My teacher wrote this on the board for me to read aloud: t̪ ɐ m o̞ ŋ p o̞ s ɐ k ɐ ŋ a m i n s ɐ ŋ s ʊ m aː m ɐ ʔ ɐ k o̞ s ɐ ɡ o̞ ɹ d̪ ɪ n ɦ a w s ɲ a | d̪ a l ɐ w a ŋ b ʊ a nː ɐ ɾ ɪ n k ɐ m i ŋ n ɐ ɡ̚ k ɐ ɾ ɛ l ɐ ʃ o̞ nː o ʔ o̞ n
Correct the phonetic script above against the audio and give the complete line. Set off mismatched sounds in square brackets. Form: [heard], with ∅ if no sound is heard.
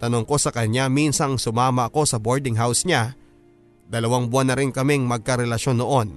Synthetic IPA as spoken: t̪ ɐ [n] o̞ ŋ [k] o̞ s ɐ k ɐ [ɲ] a m i n s ɐ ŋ s ʊ m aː m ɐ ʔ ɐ k o̞ s ɐ [b] o̞ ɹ d̪ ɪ [ŋ] ɦ a w s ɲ a | d̪ [ɐ] l ɐ w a ŋ b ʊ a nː ɐ ɾ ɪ n k ɐ m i ŋ [m] ɐ ɡ̚ k ɐ ɾ ɛ l ɐ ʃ o̞ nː o ʔ o̞ n